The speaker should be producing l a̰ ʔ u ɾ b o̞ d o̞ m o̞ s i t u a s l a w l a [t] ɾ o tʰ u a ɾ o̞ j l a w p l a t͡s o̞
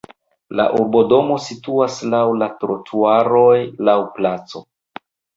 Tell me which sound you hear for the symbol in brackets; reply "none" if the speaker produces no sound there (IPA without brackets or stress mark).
t